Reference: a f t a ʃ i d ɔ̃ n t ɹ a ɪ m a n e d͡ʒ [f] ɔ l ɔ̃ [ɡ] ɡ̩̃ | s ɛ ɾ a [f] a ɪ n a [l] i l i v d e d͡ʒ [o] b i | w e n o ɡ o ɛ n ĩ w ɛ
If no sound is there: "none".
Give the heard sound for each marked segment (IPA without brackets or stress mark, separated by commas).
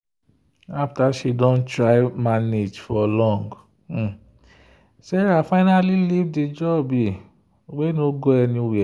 f, ŋ, f, l, ɔ